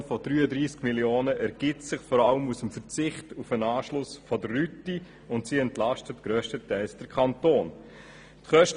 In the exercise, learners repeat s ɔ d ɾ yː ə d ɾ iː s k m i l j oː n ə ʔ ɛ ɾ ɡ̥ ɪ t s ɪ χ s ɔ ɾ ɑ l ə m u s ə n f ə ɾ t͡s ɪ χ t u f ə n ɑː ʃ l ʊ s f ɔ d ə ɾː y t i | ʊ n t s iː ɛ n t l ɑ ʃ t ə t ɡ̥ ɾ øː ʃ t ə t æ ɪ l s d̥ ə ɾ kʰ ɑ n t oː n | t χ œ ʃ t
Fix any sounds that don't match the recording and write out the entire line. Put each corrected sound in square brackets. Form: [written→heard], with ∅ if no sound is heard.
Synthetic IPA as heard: [s→f] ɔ d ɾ yː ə d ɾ iː s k m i l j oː n ə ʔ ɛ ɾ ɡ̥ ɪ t s ɪ χ [s→f] ɔ ɾ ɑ l ə m u s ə [n→m] f ə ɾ t͡s ɪ χ t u f ə n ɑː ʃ l ʊ s f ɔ d ə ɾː y t i | ʊ n t s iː ɛ n t l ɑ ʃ t ə t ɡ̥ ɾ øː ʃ t ə t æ ɪ l s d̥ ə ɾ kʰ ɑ n t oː n | t χ œ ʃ t